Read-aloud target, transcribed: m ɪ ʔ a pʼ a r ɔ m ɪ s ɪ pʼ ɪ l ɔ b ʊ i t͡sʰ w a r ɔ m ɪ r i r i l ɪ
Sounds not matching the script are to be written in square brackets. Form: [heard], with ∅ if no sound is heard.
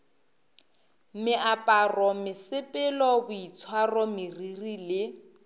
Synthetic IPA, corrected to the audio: m ɪ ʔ a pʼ a r ɔ m ɪ s ɪ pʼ ɪ l ɔ b ʊ i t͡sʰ w a r ɔ m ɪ r i r i l ɪ